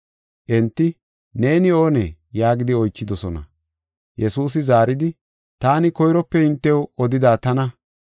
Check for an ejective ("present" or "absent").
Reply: absent